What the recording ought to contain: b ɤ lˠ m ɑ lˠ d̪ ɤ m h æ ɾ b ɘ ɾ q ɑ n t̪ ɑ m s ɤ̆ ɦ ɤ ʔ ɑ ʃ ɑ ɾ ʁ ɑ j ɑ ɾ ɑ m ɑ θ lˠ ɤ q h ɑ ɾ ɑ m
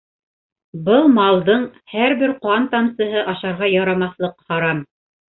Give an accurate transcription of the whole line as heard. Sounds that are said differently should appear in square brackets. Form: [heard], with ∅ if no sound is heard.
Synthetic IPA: b ɤ lˠ m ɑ lˠ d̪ ɤ [ɴ] h æ ɾ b ɘ ɾ q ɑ n t̪ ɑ m s ɤ̆ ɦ ɤ ʔ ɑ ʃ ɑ ɾ ʁ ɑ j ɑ ɾ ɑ m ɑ θ lˠ ɤ q h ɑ ɾ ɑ m